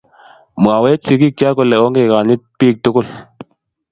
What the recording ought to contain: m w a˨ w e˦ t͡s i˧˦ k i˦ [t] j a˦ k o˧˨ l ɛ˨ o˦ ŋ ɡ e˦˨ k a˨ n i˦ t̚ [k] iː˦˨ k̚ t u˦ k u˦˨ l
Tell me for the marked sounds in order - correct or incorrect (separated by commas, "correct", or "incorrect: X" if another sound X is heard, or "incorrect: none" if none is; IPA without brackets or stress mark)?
incorrect: k, incorrect: p